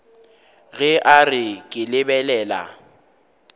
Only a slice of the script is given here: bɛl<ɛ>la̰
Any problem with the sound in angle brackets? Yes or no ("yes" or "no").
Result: yes